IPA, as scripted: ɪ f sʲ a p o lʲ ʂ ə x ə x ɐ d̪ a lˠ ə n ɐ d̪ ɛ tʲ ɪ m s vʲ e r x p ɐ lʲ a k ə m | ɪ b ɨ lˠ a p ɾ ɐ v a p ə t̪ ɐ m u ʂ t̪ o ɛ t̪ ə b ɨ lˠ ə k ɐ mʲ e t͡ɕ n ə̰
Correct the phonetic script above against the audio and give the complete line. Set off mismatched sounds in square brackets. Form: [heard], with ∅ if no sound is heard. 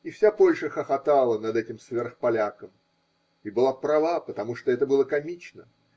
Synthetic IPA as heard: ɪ f sʲ a p o lʲ ʂ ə x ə x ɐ [t̪] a lˠ ə n ɐ d̪ ɛ tʲ ɪ m s vʲ e r x p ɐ lʲ a k ə m | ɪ b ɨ lˠ a p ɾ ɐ v a p ə t̪ ɐ m u ʂ t̪ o ɛ t̪ ə b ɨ lˠ ə k ɐ mʲ [i] t͡ɕ n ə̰